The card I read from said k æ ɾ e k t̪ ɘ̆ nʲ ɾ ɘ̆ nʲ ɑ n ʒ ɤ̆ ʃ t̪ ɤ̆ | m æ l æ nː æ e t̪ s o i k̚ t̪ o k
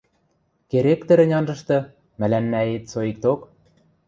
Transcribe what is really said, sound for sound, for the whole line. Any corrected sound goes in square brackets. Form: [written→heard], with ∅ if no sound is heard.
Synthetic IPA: k [æ→e] ɾ e k t̪ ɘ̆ [nʲ→∅] ɾ ɘ̆ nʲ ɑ n ʒ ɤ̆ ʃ t̪ ɤ̆ | m æ l æ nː æ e t̪ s o i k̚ t̪ o k